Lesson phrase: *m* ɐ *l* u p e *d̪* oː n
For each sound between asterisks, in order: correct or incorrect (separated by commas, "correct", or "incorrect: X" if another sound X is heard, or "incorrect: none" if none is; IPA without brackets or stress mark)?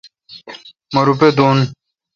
correct, incorrect: ɾ, correct